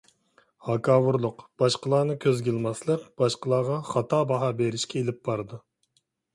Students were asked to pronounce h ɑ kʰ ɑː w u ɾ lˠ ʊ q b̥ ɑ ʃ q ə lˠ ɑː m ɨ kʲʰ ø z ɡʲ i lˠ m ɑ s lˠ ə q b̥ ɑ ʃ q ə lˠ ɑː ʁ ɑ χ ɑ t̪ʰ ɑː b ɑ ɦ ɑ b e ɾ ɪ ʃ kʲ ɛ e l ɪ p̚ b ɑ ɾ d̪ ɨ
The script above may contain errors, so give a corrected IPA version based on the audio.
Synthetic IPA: h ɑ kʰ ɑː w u ɾ lˠ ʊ q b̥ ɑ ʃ q ə lˠ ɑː n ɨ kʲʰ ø z ɡʲ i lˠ m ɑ s lˠ ə q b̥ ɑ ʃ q ə lˠ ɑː ʁ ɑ χ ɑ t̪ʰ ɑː b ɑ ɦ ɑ b e ɾ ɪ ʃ kʲ ɛ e l ɪ p̚ b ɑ ɾ d̪ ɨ